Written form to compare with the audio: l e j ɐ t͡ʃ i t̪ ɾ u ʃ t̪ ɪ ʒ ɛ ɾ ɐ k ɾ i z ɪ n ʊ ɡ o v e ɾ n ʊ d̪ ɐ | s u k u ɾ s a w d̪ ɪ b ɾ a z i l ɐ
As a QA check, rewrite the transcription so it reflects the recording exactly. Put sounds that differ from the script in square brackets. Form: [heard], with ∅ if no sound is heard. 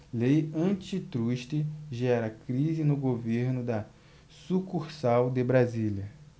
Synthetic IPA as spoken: l e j [ɐ̃] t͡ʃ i t̪ ɾ u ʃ t̪ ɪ ʒ ɛ ɾ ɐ k ɾ i z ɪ n ʊ ɡ o v e ɾ n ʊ d̪ ɐ | s u k u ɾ s a w d̪ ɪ b ɾ a z i l ɐ